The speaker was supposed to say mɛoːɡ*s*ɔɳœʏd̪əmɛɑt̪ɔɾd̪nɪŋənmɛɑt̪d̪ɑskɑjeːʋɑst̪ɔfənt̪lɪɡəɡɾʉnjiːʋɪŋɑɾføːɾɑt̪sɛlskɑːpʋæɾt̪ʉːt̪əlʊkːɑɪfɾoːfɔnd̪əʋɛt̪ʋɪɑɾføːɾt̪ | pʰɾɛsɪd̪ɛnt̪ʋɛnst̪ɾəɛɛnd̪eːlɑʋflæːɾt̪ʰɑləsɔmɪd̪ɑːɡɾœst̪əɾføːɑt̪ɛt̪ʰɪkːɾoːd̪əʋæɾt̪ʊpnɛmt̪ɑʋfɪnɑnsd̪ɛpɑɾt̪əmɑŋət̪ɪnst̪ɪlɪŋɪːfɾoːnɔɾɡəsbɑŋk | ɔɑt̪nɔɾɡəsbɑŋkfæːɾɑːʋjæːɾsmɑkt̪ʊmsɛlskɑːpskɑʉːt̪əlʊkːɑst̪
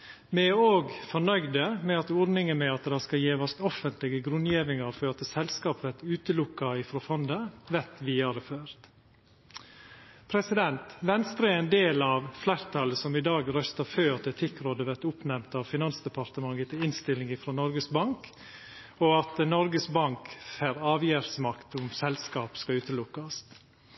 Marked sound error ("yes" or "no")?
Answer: yes